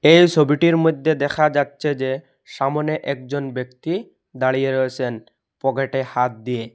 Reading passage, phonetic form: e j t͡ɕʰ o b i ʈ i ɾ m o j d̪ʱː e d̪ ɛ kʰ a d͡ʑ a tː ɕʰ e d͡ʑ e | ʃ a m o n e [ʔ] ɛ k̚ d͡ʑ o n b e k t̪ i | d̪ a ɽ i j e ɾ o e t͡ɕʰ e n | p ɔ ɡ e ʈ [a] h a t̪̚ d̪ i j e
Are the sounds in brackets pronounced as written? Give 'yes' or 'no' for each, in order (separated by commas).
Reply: yes, no